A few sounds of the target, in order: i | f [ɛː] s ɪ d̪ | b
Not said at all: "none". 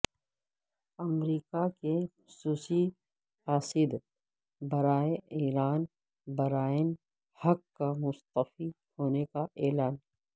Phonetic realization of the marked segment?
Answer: aː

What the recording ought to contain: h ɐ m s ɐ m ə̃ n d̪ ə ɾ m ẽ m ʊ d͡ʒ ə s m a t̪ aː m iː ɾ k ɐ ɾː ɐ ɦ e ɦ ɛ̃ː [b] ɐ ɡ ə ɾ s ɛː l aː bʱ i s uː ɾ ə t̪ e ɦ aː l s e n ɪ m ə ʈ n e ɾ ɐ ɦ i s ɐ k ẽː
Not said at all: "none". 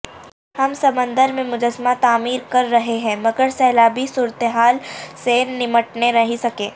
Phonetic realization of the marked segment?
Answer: m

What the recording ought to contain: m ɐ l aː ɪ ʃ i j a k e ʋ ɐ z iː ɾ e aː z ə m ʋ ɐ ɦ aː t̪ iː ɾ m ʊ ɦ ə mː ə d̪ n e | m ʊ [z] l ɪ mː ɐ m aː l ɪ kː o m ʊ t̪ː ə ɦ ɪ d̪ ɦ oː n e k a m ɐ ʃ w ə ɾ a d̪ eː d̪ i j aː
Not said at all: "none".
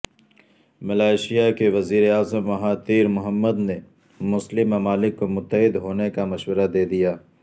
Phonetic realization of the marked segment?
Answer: s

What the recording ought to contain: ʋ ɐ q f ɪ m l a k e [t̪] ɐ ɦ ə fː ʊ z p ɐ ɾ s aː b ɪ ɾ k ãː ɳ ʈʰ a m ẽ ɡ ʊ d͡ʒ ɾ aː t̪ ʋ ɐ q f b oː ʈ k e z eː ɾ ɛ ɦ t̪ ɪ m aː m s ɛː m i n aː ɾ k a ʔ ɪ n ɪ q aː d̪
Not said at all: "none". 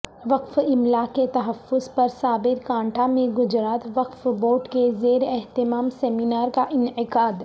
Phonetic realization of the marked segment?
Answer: t̪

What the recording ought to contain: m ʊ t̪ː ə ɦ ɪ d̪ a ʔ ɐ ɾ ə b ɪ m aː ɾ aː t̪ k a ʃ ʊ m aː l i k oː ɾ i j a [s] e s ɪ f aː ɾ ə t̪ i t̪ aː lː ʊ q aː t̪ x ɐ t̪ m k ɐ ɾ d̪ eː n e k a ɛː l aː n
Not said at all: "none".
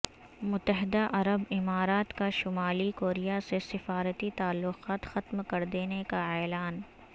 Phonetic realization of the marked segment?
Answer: s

